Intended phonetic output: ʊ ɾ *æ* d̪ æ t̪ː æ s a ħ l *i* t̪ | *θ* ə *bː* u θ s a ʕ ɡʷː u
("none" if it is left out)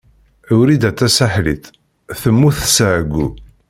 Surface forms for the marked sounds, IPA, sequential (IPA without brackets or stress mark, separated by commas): i, i, θ, mː